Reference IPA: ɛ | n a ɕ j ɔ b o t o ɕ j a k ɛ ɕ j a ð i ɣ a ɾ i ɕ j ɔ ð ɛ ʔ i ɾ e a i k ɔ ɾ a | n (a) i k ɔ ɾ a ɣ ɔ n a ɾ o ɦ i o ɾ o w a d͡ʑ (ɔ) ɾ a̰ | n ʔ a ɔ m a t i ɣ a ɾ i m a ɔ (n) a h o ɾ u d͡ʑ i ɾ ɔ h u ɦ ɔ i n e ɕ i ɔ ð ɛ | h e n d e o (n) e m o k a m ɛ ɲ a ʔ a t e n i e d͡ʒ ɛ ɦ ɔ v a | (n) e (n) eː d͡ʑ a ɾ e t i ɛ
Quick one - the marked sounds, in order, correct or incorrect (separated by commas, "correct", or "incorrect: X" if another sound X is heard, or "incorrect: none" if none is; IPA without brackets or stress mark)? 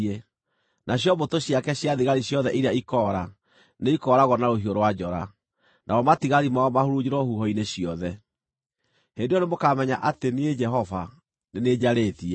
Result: incorrect: e, correct, incorrect: m, correct, correct, correct